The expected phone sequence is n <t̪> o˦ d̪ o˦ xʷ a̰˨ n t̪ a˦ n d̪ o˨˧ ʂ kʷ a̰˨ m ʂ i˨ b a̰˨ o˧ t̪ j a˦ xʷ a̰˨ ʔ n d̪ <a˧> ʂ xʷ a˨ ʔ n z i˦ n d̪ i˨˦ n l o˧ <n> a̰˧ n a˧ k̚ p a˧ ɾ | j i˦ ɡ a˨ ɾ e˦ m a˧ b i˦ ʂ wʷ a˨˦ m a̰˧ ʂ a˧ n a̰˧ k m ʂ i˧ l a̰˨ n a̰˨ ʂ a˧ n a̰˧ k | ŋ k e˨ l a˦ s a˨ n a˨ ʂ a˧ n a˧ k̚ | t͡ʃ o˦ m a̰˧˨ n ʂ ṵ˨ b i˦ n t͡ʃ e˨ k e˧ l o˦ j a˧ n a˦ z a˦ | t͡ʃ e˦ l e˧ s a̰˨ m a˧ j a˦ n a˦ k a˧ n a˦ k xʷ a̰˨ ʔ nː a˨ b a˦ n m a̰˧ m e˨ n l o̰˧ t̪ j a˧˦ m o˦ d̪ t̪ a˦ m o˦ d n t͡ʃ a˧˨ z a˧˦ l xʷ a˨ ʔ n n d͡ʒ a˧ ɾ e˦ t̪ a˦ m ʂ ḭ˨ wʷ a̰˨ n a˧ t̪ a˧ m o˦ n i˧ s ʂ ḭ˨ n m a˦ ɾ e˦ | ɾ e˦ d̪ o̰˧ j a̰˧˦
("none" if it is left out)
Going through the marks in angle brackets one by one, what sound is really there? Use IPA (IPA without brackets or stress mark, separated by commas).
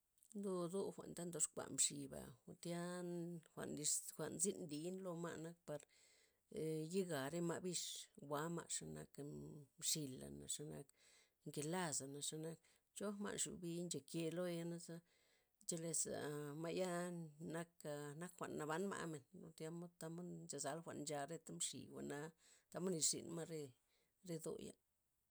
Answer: d̪, i˧, m